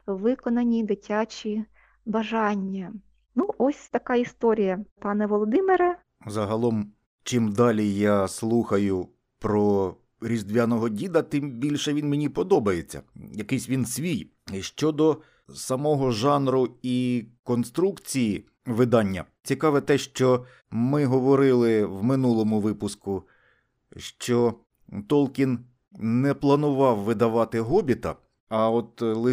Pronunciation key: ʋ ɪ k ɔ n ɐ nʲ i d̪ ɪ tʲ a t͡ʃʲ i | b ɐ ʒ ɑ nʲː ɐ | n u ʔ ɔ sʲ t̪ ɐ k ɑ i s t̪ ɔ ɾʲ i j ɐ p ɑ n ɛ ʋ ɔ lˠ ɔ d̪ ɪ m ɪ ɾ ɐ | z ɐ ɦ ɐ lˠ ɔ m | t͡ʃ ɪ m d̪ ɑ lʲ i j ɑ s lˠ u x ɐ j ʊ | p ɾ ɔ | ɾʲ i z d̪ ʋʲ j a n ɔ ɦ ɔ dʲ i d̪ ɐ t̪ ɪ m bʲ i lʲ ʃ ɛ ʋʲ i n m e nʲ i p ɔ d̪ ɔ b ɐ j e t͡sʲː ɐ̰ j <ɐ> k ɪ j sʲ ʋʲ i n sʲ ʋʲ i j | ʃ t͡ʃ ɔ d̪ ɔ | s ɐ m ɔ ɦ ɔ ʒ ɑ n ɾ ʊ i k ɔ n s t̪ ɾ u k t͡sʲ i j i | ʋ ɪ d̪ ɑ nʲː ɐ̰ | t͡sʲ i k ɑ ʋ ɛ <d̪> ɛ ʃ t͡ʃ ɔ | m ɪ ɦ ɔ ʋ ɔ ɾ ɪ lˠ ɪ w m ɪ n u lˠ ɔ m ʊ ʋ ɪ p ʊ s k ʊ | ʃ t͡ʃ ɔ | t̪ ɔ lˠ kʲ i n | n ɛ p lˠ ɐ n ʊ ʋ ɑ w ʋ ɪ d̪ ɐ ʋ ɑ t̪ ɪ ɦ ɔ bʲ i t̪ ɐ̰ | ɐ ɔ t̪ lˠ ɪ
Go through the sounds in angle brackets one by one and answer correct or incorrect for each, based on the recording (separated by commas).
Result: correct, incorrect